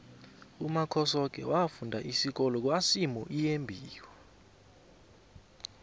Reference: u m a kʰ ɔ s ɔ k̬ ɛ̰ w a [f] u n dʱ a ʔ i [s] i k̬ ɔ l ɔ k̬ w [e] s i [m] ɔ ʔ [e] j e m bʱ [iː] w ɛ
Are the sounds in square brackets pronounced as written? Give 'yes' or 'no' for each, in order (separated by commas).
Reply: yes, yes, no, yes, no, yes